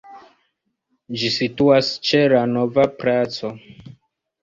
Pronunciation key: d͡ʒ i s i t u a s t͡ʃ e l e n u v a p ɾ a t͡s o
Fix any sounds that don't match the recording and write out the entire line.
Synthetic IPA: d͡ʒ i s i t u a s t͡ʃ e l a n o v a p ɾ a t͡s o